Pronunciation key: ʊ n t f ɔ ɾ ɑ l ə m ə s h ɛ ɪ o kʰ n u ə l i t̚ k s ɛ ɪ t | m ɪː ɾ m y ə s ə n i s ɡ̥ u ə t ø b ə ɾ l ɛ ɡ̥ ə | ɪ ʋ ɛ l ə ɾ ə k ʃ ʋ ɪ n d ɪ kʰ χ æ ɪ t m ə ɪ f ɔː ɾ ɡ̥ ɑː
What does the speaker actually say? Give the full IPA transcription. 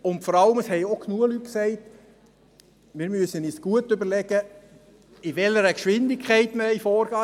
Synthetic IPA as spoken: ʊ n t f ɔ ɾ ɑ l ə m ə s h ɛ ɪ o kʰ n u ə l y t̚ k s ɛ ɪ t | m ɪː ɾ m y ə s ə n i s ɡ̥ u ə t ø b ə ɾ l ɛ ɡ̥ ə | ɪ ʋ ɛ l ə ɾ ə k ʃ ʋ ɪ n d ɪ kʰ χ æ ɪ t m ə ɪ f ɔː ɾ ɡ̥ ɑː